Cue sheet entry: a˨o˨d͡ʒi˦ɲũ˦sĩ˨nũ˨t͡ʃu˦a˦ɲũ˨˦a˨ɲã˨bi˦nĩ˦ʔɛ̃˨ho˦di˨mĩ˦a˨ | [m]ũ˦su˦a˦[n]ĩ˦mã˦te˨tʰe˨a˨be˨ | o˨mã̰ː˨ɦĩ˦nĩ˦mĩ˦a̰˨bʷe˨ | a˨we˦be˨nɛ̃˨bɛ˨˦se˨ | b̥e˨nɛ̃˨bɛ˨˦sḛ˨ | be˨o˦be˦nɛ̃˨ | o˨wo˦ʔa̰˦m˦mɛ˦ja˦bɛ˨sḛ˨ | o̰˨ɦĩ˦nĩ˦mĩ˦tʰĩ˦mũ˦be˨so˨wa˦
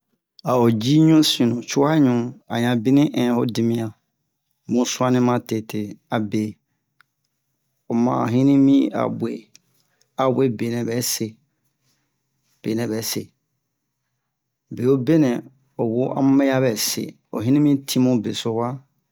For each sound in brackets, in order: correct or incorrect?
correct, correct

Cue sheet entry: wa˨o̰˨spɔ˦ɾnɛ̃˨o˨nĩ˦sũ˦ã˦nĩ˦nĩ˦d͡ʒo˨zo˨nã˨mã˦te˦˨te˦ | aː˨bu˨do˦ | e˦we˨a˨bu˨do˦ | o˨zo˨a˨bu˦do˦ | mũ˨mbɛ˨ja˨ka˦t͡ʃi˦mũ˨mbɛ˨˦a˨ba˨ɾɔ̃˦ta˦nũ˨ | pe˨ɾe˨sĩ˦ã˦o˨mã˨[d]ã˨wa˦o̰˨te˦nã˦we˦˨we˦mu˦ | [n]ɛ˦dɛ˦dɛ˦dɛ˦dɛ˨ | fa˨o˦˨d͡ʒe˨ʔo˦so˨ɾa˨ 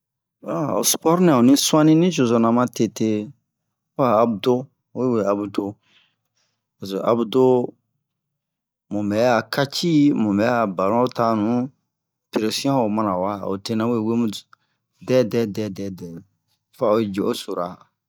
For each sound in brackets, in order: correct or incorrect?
incorrect: n, incorrect: d

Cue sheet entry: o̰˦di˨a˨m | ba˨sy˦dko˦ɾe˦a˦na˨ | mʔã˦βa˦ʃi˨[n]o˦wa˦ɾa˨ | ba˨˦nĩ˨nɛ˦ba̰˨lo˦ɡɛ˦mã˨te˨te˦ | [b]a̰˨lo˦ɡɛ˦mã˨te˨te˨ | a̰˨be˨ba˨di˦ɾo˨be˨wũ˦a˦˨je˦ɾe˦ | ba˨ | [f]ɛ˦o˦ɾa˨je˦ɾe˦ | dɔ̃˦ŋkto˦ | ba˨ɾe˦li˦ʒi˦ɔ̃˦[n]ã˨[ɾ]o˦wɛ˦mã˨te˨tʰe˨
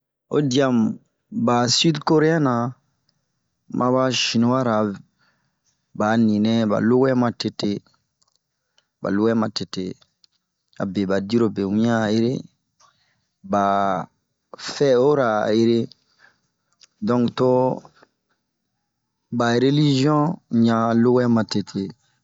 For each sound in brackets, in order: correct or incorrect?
correct, correct, correct, incorrect: ɲ, incorrect: l

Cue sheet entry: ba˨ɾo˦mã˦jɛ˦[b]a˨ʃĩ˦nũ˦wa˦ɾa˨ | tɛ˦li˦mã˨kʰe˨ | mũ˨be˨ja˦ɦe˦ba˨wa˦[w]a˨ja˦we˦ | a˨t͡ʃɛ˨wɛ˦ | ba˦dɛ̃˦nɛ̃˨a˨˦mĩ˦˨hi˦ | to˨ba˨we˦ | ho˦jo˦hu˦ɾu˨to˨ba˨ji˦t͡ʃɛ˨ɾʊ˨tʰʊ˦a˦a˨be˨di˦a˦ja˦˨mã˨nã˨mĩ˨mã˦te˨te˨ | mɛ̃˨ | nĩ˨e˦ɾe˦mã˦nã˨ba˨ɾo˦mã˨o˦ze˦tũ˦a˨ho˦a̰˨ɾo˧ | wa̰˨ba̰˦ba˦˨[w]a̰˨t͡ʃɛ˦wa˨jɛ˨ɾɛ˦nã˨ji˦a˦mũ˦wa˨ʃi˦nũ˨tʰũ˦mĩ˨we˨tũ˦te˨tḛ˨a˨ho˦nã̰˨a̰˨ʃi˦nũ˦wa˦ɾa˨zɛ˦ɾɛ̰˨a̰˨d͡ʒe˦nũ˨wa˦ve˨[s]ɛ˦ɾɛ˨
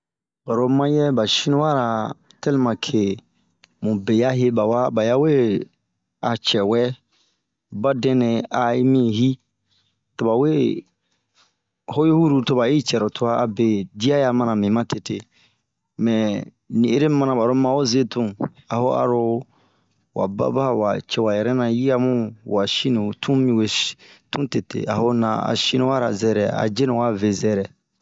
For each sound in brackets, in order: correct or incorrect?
correct, incorrect: b, correct, incorrect: z

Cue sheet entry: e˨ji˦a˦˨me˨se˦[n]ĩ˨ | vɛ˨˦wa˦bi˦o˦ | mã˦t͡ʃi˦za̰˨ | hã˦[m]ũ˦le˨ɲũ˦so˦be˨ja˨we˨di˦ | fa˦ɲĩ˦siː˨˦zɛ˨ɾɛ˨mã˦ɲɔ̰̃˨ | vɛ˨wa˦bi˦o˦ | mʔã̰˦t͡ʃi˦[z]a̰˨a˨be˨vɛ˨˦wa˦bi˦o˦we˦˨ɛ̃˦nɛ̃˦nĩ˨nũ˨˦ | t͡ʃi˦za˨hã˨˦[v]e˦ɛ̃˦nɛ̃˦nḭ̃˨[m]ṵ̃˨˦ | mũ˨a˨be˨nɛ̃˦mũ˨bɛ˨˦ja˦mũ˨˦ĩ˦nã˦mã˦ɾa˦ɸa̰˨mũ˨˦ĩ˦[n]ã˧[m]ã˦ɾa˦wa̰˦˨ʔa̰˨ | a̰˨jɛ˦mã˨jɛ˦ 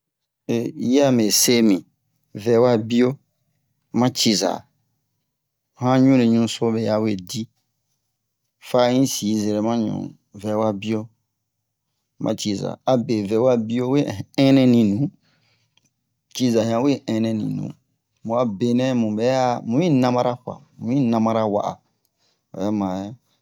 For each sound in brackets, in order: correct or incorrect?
incorrect: m, incorrect: ɲ, correct, incorrect: w, incorrect: n, correct, correct

